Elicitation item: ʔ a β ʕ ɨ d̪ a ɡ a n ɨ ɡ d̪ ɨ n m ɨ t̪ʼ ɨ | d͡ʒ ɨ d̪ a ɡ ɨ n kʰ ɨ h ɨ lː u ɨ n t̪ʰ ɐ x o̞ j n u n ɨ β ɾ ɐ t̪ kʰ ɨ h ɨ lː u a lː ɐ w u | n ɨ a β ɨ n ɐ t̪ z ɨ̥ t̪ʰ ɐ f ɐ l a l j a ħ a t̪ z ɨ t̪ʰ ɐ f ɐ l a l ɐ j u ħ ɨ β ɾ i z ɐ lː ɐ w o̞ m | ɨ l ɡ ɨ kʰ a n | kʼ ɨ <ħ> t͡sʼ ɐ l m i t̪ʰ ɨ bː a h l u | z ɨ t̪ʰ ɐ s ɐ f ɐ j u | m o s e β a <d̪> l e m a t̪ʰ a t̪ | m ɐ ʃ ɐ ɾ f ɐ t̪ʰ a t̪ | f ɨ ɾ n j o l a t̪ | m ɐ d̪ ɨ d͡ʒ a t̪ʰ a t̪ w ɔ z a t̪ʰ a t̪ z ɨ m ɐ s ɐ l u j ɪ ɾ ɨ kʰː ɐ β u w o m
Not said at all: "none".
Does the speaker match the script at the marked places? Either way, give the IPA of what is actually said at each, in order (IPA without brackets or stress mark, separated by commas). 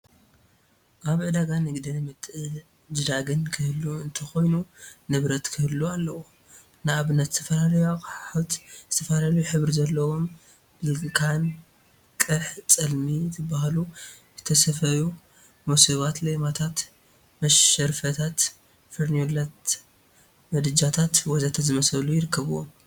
ħ, t̪